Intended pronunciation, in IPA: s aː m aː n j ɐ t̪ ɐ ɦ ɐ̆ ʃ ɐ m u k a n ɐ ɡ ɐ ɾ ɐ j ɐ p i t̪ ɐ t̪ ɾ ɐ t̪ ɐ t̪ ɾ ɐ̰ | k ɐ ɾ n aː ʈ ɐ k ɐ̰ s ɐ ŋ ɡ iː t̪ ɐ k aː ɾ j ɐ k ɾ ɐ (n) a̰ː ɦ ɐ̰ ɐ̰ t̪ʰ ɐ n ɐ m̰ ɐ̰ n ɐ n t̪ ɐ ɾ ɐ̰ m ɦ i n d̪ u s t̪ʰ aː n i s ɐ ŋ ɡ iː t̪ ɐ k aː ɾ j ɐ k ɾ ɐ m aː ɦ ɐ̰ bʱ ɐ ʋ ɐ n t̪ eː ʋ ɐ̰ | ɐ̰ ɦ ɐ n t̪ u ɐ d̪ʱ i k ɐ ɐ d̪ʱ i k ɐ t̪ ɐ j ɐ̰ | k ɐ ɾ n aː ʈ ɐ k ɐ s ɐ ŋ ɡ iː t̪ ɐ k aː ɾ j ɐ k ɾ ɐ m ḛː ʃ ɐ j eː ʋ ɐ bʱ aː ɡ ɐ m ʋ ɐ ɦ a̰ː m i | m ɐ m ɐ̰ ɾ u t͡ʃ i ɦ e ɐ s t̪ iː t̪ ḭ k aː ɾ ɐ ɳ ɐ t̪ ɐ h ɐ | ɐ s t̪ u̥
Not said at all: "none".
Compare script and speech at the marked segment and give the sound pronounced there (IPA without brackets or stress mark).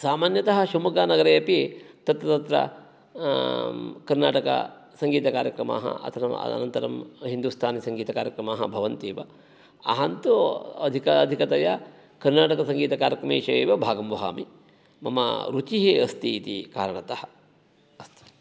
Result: m